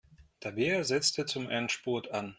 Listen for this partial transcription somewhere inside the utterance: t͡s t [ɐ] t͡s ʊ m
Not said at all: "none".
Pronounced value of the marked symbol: ə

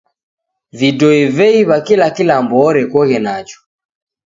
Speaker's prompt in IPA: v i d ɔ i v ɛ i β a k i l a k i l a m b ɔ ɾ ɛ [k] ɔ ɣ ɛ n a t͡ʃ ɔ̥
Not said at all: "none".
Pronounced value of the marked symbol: k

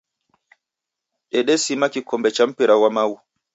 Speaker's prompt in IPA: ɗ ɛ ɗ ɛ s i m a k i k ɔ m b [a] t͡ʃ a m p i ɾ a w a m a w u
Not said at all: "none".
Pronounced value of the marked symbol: ɛ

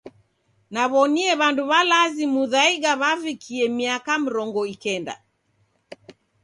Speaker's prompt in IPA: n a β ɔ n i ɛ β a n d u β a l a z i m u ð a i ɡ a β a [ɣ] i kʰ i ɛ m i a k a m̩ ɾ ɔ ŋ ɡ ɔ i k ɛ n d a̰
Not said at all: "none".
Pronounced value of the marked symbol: v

